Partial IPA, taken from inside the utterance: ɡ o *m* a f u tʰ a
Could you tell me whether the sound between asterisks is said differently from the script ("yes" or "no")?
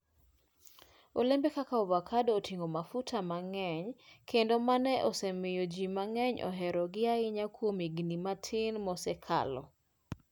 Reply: no